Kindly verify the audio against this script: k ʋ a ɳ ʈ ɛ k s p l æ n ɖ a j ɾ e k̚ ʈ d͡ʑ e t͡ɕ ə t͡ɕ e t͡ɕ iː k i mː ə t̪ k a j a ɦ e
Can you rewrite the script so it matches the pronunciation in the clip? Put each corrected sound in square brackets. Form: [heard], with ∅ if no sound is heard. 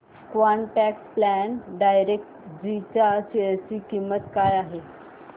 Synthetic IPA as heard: k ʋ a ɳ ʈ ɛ k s p l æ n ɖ a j ɾ e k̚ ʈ d͡ʑ [i] t͡ɕ [a] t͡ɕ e t͡ɕ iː k i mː ə t̪ k a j a ɦ e